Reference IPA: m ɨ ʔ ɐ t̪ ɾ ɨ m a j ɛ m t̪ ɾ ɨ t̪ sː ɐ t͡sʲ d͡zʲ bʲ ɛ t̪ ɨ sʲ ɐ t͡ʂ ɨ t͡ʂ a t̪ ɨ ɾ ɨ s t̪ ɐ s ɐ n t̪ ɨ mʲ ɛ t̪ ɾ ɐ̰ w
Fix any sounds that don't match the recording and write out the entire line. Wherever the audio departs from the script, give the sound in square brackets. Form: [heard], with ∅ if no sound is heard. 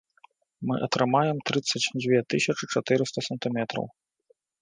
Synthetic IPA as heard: m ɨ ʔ ɐ t̪ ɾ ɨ m a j ɛ m t̪ ɾ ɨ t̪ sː ɐ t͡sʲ d͡zʲ [vʲ] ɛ t̪ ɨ sʲ ɐ t͡ʂ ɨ t͡ʂ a t̪ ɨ ɾ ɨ s t̪ ɐ s ɐ n t̪ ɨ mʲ ɛ t̪ ɾ ɐ̰ w